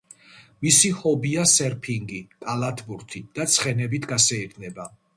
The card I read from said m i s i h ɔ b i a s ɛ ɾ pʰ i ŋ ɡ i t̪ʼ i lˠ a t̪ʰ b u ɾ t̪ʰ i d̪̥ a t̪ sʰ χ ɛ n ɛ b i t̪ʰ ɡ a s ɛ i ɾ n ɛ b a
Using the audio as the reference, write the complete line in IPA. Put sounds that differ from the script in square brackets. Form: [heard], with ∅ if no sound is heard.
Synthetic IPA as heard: m i s i h ɔ b i a s ɛ ɾ pʰ i ŋ ɡ i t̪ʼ [a] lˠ a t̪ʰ b u ɾ t̪ʰ i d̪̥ a t̪ sʰ χ ɛ n ɛ b i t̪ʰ ɡ a s ɛ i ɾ n ɛ b a